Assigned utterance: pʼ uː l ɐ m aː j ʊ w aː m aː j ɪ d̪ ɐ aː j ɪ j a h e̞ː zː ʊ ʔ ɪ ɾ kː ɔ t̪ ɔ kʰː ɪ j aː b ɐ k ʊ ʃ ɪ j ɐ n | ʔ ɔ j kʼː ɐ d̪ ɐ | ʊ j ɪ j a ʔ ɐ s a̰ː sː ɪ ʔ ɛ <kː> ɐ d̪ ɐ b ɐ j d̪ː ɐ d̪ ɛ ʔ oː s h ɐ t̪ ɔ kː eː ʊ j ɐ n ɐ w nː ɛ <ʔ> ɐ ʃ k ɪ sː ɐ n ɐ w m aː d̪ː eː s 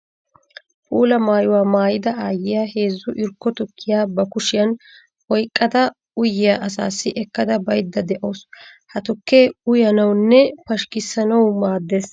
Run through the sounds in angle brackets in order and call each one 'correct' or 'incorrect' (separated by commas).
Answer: correct, incorrect